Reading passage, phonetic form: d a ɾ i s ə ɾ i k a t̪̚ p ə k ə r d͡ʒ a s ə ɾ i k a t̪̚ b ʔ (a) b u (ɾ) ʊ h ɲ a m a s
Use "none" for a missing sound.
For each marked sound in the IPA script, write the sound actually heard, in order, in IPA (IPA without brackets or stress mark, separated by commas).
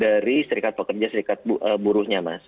ə, ɾ